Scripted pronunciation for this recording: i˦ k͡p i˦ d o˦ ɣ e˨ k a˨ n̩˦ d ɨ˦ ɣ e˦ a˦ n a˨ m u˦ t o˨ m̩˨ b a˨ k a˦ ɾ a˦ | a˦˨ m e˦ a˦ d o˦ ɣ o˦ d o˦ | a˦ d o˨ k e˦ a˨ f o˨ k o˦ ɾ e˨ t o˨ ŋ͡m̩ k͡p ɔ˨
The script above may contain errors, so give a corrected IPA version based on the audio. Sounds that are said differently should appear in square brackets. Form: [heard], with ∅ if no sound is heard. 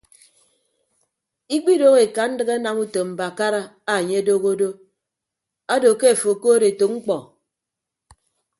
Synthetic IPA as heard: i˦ k͡p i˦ d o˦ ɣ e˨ k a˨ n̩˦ d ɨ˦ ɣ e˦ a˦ n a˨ m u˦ t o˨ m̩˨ b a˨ k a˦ ɾ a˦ | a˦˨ [ɲ] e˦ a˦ d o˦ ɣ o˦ d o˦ | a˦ d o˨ k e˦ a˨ f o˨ k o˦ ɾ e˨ t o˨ ŋ͡m̩ k͡p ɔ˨

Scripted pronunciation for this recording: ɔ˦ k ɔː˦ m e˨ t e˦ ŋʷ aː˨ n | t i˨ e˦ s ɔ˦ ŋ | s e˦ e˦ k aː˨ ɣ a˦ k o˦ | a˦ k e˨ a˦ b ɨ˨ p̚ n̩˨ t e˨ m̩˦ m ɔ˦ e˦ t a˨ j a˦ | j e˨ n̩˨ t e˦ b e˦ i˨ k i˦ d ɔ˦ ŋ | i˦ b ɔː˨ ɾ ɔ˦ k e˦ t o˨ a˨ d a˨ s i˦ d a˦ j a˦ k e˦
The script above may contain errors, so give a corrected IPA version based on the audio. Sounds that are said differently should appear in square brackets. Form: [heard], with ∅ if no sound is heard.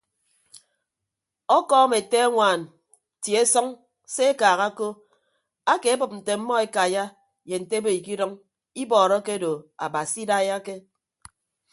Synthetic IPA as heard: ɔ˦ k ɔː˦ m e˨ t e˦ ŋʷ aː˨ n | t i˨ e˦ s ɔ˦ ŋ | s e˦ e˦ k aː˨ ɣ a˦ k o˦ | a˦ k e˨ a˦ b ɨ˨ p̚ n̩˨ t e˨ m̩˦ m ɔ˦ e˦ [k] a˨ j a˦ | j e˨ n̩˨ t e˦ b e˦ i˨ k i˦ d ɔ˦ ŋ | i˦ b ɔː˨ ɾ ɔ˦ k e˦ [d] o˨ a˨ [b] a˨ s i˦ d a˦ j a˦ k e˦

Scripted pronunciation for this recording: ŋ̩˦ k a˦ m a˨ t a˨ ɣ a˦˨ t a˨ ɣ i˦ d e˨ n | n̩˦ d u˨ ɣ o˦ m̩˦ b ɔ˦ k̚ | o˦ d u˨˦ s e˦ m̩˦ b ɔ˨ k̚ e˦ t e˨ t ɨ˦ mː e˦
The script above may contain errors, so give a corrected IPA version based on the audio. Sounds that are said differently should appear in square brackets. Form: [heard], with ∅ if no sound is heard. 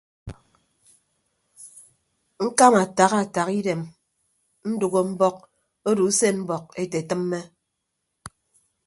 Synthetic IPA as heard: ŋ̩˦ k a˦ m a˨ t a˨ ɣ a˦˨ t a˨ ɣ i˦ d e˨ [m] | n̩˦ d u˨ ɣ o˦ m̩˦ b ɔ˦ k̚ | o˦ d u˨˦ s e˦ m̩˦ b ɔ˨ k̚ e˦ t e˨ t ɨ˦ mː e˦

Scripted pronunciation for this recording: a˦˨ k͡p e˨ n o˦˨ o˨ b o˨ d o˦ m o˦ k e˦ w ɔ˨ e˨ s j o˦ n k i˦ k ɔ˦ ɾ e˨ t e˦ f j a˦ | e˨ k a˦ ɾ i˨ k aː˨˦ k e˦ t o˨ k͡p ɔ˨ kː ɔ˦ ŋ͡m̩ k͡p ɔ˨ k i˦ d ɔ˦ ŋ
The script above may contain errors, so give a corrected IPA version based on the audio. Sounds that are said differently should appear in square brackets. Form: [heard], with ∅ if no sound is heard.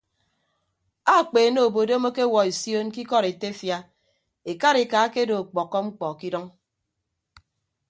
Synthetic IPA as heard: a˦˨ k͡p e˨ n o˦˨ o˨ b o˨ d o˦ m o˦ k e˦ w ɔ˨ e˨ s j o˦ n k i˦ k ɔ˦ ɾ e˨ t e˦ f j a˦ | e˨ k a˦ ɾ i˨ k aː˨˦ k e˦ [d] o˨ k͡p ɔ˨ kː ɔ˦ ŋ͡m̩ k͡p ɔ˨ k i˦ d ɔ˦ ŋ

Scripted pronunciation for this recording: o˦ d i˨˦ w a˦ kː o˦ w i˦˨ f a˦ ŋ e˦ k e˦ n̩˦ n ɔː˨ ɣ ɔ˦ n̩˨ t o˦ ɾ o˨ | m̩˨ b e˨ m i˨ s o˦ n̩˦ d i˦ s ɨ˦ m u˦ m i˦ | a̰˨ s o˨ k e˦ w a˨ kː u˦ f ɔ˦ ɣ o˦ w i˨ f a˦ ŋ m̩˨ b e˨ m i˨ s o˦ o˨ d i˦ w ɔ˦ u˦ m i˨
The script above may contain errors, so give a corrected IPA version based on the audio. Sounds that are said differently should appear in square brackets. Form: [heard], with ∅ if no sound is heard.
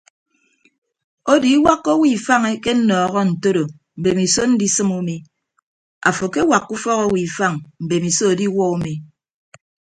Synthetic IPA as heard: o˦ d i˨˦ w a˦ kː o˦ w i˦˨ f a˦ ŋ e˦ k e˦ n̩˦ n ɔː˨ ɣ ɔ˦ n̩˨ t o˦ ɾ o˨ | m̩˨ b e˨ m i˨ s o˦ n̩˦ d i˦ s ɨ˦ m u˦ m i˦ | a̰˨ [f] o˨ k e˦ w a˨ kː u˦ f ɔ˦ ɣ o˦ w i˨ f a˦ ŋ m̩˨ b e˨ m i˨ s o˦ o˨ d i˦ w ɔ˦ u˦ m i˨

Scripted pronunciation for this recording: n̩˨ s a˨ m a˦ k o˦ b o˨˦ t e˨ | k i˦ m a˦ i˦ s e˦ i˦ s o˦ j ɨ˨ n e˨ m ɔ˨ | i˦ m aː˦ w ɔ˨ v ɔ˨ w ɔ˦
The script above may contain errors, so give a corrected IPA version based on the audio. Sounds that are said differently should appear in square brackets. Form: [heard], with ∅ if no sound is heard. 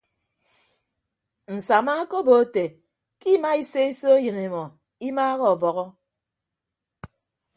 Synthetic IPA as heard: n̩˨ s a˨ m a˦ k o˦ b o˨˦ t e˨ | k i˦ m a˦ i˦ s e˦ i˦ s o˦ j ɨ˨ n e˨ m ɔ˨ | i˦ m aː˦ [ɣ] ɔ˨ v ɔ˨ [ɣ] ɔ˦

